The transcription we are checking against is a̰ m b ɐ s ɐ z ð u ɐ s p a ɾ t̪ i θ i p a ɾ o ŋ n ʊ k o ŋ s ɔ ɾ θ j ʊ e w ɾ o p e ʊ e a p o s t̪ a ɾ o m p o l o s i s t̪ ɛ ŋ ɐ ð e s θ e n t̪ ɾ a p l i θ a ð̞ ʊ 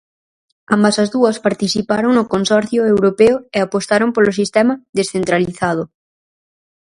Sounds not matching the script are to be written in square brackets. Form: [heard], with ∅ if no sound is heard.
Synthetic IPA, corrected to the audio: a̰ m b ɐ s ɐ z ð u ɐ s p a ɾ t̪ i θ i p a ɾ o ŋ n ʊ k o [n] s ɔ ɾ θ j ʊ e w ɾ o p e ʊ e a p o s t̪ a ɾ o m p o l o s i s t̪ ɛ [m] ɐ ð e s θ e n t̪ ɾ a [∅] l i θ a ð̞ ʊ